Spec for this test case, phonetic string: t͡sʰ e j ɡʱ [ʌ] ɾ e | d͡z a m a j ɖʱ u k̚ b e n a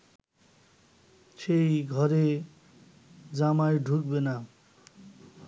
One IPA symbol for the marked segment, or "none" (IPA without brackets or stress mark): ʌ